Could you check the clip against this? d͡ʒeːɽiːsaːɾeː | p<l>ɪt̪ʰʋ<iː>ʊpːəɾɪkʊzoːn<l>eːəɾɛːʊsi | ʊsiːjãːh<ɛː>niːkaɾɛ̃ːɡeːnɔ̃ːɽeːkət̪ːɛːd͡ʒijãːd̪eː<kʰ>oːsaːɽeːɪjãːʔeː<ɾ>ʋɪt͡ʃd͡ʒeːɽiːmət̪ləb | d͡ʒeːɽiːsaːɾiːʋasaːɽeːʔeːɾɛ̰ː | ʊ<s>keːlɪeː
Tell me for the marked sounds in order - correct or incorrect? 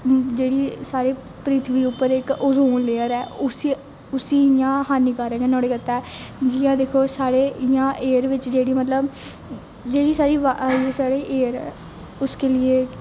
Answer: incorrect, correct, correct, incorrect, correct, correct, correct

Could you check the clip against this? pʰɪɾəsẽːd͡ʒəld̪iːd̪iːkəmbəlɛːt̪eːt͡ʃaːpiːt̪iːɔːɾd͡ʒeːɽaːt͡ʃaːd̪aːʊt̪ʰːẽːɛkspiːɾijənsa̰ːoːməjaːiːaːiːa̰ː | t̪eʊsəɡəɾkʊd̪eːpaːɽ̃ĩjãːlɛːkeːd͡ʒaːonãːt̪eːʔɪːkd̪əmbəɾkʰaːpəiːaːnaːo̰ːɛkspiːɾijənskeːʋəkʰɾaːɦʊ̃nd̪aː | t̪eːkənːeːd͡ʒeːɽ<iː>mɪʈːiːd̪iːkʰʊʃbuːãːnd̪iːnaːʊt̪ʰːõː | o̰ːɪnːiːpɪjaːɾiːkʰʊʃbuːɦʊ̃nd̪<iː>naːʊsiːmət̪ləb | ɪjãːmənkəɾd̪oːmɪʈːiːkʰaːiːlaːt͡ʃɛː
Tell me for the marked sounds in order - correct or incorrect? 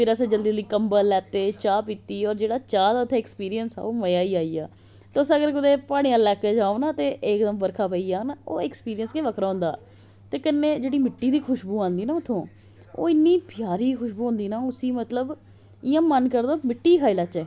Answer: correct, correct

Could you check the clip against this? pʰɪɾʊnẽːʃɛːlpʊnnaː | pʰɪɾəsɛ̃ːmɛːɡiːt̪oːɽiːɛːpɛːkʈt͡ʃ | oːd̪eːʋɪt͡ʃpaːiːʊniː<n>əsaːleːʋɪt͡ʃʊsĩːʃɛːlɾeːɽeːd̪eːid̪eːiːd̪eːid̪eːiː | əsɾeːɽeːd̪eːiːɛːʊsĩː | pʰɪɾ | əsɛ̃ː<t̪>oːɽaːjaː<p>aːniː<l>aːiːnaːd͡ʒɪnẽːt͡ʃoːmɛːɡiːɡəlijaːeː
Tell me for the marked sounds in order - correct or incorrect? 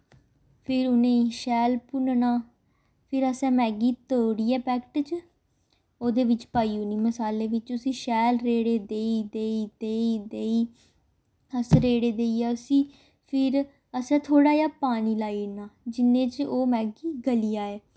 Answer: incorrect, incorrect, correct, correct

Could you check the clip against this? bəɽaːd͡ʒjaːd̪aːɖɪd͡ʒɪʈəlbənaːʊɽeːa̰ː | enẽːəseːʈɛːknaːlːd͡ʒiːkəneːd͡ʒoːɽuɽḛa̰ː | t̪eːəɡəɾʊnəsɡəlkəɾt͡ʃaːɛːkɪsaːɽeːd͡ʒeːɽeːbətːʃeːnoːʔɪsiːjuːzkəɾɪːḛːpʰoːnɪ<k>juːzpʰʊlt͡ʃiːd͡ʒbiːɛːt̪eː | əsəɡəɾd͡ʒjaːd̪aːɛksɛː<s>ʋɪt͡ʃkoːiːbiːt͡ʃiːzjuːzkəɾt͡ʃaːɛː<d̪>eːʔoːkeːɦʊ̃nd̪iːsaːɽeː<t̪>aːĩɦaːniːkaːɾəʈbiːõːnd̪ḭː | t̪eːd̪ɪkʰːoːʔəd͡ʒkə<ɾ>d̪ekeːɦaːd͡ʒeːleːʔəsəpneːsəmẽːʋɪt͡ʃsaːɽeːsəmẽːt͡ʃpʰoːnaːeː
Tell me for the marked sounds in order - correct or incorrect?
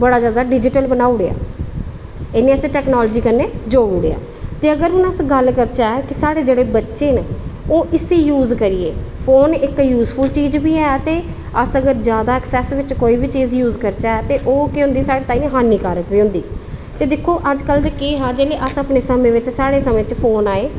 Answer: correct, correct, incorrect, correct, incorrect

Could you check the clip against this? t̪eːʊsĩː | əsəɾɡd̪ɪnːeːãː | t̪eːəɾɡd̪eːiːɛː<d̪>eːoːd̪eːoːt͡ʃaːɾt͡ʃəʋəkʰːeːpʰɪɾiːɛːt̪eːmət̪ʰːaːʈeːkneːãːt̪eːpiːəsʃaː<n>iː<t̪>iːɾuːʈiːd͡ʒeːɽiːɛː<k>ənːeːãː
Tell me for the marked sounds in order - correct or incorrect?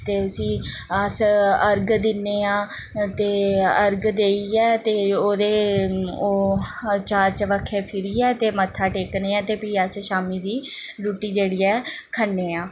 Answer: incorrect, incorrect, incorrect, incorrect

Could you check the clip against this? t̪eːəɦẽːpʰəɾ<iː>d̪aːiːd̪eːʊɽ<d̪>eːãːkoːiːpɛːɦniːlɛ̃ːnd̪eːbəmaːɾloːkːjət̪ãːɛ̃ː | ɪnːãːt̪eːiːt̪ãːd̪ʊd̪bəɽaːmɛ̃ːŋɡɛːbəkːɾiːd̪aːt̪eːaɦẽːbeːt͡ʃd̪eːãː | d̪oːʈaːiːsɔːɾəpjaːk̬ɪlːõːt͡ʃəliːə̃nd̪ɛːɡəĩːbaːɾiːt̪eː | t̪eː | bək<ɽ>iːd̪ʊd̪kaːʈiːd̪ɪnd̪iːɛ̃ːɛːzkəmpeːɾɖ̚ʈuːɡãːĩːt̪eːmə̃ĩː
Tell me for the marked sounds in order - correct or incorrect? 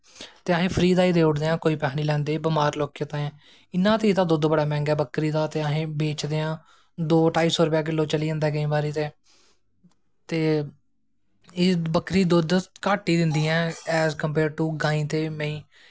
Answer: correct, correct, incorrect

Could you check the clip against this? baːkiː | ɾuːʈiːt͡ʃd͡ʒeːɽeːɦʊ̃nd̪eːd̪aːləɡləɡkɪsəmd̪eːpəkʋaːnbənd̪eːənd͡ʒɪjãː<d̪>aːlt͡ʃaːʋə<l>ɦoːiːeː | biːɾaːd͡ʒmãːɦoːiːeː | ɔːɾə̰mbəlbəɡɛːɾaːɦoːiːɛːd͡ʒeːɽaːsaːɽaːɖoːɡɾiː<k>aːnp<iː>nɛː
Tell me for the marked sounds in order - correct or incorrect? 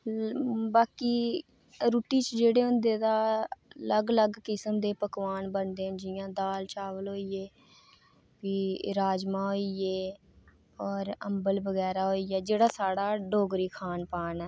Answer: correct, correct, incorrect, incorrect

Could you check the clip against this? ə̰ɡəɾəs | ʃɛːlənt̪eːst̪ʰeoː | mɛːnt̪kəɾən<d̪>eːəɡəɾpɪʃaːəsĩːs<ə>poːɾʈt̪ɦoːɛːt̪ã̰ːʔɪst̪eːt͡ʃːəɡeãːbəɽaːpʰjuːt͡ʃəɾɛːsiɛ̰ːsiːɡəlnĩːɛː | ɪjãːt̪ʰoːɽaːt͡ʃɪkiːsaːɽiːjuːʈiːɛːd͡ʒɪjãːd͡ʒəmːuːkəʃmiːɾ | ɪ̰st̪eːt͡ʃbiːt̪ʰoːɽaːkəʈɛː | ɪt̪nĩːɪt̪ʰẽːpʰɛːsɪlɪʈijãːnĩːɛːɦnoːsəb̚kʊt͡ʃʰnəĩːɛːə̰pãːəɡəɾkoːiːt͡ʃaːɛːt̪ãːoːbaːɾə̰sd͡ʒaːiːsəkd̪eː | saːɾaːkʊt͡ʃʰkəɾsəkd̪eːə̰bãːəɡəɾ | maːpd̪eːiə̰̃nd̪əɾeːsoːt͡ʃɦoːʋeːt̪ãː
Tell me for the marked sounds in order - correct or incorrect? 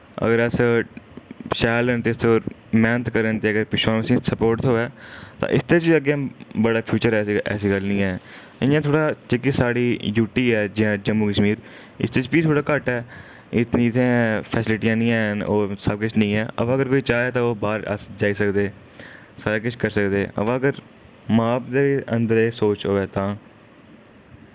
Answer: incorrect, correct

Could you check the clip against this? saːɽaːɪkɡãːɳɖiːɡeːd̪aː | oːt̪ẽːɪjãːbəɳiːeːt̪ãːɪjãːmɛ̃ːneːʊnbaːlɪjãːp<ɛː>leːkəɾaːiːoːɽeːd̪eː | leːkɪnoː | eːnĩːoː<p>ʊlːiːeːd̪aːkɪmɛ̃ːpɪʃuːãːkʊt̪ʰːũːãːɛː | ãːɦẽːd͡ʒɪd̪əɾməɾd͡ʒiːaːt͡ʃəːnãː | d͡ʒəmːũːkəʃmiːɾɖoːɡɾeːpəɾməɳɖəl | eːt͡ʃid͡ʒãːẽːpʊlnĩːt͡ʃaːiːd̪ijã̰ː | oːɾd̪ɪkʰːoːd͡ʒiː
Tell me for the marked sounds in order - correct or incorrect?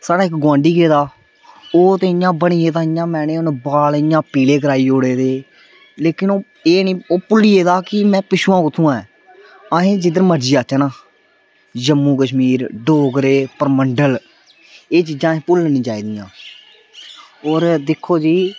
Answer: incorrect, correct

